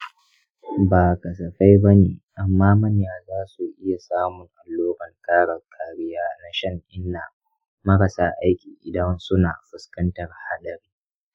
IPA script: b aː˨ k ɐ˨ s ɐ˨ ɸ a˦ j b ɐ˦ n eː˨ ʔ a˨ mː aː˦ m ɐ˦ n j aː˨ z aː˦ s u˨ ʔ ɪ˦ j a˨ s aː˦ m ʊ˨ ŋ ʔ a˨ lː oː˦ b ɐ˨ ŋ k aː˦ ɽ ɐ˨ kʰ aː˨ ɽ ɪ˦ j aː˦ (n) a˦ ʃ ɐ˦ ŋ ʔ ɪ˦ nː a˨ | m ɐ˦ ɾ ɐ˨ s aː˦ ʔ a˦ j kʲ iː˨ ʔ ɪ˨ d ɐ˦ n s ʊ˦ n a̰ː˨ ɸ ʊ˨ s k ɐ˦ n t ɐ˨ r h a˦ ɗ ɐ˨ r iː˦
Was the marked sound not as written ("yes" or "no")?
no